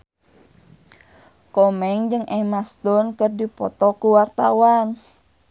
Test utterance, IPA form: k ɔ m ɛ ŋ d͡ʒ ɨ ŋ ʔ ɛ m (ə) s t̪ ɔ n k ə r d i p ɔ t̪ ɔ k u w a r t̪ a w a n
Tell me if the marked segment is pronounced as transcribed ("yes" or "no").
no